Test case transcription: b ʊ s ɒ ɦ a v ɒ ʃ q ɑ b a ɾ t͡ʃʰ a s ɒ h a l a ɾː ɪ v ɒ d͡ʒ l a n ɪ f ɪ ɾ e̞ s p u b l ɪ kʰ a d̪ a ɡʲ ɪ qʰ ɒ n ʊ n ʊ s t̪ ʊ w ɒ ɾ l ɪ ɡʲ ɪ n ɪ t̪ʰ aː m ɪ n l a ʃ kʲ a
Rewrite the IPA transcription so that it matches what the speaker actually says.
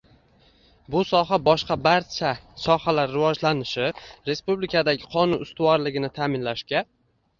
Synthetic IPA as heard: b ʊ s ɒ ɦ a b ɒ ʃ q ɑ b a ɾ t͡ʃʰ a s ɒ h a l a ɾː ɪ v ɒ d͡ʒ l a n ɪ ʃ ɪ ɾ e̞ s p u b l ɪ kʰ a d̪ a ɡʲ ɪ qʰ ɒ n ʊ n ʊ s t̪ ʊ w ɒ ɾ l ɪ ɡʲ ɪ n ɪ t̪ʰ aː m ɪ n l a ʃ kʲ a